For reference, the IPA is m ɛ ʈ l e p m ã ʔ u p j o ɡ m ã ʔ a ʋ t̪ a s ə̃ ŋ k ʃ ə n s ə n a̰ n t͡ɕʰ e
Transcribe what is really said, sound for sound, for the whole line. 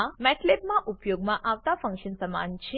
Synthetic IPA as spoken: m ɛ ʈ l e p m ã ʔ u p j o ɡ m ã ʔ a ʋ t̪ a f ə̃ ŋ k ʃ ə n s ə m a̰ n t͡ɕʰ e